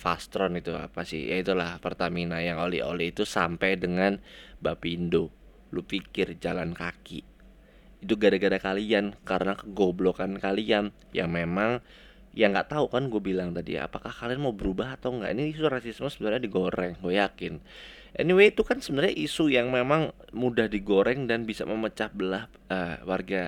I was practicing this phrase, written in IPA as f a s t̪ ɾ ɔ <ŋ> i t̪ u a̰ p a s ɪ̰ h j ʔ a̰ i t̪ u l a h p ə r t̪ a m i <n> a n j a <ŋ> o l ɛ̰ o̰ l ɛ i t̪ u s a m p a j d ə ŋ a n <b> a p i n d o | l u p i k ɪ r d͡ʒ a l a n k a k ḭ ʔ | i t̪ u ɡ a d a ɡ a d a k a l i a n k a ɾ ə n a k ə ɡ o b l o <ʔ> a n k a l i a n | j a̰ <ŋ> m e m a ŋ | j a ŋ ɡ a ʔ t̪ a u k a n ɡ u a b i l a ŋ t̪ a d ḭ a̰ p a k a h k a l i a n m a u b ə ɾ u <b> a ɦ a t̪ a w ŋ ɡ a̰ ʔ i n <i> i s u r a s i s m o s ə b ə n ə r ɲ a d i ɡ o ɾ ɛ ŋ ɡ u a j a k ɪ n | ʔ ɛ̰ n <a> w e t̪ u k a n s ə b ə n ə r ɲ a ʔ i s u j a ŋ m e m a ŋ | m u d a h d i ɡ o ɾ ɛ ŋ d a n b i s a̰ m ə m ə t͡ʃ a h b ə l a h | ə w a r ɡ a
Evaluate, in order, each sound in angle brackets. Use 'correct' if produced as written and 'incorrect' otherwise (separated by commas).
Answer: incorrect, correct, correct, correct, incorrect, correct, correct, correct, incorrect